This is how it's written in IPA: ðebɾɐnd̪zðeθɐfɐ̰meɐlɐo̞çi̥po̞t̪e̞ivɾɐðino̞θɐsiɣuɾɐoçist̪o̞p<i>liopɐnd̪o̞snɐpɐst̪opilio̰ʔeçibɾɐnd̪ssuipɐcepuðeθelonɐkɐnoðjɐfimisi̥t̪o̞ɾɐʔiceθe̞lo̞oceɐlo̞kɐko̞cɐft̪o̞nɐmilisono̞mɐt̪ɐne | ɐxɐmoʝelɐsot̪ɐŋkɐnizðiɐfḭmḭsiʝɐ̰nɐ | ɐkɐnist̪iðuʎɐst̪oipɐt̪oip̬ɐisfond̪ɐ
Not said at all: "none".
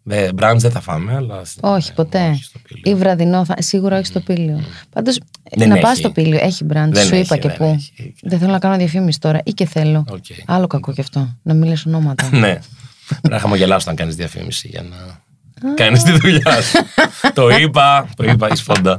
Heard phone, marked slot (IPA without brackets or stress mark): i